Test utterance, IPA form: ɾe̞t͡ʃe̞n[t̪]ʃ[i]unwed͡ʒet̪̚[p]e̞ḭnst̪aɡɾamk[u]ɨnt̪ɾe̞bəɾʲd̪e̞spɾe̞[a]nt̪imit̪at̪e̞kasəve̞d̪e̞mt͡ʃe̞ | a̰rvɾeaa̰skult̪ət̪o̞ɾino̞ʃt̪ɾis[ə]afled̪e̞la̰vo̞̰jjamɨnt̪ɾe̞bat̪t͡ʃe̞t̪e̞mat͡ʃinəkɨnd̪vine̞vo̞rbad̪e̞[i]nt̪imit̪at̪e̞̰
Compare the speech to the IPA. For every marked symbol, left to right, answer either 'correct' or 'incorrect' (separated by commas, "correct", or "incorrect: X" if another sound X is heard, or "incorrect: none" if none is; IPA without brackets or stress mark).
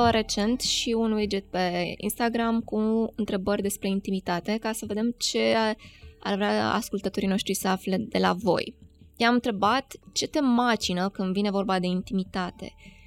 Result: correct, correct, correct, correct, incorrect: i, correct, correct